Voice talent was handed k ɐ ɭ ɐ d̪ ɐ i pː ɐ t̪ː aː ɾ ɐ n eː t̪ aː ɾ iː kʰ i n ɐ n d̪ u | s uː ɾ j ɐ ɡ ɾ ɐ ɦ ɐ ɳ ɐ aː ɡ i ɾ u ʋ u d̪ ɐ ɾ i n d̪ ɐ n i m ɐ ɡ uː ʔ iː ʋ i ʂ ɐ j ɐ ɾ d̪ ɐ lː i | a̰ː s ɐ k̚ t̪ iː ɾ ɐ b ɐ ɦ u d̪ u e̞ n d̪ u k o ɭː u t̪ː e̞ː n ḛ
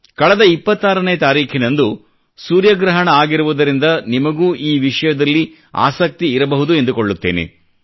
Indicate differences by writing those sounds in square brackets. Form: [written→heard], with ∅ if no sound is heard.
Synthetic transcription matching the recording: k ɐ ɭ ɐ d̪ ɐ i pː ɐ t̪ː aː ɾ ɐ n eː t̪ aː ɾ iː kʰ i n ɐ n d̪ u | s uː ɾ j ɐ ɡ ɾ ɐ ɦ ɐ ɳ ɐ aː ɡ i ɾ u ʋ u d̪ ɐ ɾ i n d̪ ɐ n i m ɐ ɡ uː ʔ iː ʋ i ʂ ɐ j ɐ [ɾ→∅] d̪ ɐ lː i | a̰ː s ɐ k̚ t̪ iː ɾ ɐ b ɐ ɦ u d̪ u e̞ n d̪ u k o ɭː u t̪ː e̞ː n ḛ